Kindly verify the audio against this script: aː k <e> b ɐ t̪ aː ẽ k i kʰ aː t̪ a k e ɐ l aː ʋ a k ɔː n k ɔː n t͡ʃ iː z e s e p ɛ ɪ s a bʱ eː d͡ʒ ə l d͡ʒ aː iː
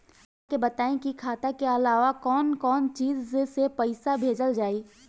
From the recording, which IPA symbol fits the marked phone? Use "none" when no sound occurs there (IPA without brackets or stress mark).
e